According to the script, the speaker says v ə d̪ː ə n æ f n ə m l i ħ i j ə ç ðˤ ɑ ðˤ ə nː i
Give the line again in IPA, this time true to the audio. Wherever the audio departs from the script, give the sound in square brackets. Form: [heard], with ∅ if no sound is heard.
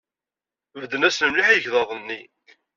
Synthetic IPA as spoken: v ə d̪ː ə n æ [s] n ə m l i ħ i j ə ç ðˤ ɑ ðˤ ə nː i